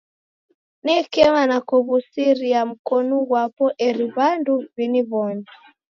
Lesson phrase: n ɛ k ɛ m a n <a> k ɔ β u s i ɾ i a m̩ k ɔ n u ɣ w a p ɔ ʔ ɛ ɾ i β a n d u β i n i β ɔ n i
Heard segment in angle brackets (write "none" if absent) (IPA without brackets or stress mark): a